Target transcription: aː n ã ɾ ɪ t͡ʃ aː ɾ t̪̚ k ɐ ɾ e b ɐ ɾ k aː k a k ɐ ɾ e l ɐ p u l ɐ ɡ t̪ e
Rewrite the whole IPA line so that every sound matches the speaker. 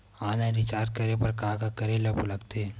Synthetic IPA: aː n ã ɾ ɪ t͡ʃ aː ɾ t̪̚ k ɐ ɾ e p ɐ ɾ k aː k a k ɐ ɾ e l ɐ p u l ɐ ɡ t̪ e